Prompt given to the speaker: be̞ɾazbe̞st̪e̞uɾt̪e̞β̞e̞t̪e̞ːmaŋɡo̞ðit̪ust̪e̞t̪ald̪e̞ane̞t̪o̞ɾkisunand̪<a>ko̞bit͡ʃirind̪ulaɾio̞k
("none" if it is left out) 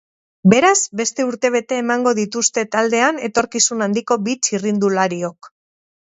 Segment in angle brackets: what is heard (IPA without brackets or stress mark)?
i